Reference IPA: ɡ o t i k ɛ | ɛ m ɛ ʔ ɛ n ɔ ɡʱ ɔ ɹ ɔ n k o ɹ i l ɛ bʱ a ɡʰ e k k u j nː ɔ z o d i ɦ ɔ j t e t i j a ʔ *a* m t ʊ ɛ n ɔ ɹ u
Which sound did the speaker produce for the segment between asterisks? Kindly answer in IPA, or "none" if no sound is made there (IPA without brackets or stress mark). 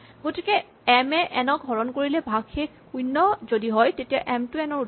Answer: ɛ